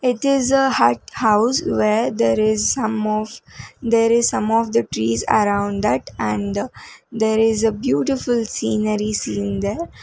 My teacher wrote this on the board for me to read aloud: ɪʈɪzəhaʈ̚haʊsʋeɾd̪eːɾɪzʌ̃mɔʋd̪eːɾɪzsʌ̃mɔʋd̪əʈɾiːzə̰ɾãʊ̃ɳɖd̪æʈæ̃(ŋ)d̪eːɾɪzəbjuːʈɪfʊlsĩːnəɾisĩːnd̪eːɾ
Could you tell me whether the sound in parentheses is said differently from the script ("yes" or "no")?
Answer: yes